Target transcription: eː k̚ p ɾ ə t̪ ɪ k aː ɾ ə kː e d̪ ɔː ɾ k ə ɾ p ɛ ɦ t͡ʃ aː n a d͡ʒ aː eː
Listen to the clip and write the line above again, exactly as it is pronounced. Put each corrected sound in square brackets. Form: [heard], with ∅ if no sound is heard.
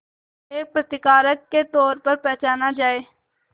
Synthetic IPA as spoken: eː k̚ p ɾ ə t̪ ɪ k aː ɾ ə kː e [t̪] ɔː ɾ [p] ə ɾ p ɛ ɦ t͡ʃ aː n a d͡ʒ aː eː